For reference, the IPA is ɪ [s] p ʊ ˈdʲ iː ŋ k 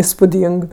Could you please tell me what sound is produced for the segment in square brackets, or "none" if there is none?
s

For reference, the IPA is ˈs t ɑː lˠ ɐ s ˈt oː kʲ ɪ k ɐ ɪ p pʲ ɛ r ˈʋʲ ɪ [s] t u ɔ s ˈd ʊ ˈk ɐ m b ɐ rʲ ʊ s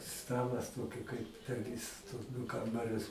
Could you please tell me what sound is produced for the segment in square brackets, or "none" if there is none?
s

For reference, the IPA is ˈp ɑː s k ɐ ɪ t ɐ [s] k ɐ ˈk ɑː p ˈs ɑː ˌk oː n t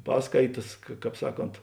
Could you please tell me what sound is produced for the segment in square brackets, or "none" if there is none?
s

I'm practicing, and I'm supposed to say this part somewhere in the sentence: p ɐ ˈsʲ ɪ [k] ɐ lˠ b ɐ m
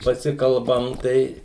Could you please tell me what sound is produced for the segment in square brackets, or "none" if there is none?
k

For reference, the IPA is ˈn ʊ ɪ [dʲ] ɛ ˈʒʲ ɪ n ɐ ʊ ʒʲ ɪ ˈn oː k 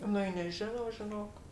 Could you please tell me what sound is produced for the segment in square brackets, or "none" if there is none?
nʲ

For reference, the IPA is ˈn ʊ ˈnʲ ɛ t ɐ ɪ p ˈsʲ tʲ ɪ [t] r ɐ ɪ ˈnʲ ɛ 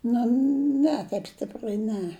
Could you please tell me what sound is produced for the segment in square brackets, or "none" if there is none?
p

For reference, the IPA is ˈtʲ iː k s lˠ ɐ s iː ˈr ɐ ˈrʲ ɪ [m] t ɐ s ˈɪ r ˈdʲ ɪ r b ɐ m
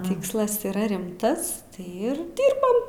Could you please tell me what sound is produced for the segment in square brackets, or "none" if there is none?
m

